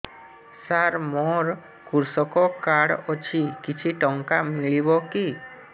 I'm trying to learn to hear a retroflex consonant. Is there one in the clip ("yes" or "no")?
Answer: yes